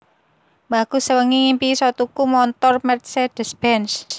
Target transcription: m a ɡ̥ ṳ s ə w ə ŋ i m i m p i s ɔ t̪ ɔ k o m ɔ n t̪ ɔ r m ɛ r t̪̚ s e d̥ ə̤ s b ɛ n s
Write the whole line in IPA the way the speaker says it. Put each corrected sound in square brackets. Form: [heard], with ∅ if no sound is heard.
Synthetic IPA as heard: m a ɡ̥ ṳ s ə w ə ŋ i [ŋ] i m p i s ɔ t̪ [u] k [u] m ɔ n t̪ ɔ r m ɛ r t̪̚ s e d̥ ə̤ s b ɛ n s